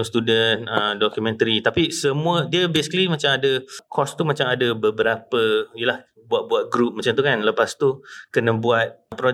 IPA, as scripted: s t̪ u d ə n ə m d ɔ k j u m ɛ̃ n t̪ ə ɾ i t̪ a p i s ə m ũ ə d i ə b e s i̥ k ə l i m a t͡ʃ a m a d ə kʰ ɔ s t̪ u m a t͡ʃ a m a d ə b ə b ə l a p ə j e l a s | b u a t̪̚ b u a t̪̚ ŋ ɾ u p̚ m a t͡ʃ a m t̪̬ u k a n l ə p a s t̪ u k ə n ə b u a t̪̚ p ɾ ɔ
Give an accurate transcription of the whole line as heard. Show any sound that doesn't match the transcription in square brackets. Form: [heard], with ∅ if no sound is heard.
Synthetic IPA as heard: s t̪ u d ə n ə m d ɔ k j u m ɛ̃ n t̪ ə ɾ i t̪ a p i s ə m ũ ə d i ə b e s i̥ k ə l i m a t͡ʃ a m a d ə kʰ ɔ s t̪ u m a t͡ʃ a m a d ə b ə b ə [ɾ] a p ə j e l a [h] | b u a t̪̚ b u a t̪̚ [ɡ] ɾ u p̚ m a t͡ʃ a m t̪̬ u k a n l ə p a s t̪ u k ə n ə b u a t̪̚ p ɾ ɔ